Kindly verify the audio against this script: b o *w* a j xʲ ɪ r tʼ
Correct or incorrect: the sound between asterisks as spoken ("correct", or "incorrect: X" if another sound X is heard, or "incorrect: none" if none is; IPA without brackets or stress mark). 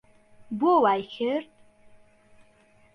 correct